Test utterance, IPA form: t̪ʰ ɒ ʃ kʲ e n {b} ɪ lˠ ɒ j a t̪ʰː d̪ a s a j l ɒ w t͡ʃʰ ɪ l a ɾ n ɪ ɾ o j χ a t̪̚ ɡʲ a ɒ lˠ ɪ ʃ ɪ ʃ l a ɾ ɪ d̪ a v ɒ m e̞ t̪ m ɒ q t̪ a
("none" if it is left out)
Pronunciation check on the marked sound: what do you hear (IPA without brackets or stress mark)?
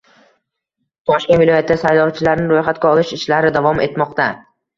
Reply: v